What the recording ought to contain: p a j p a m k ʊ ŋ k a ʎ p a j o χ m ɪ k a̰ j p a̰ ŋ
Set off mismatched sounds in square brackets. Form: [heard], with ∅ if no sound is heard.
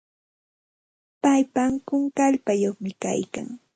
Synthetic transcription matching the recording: p a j p a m k ʊ ŋ k a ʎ p a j o χ m ɪ k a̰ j [k] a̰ ŋ